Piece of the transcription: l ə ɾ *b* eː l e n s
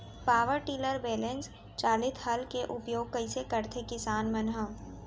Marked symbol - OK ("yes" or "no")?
yes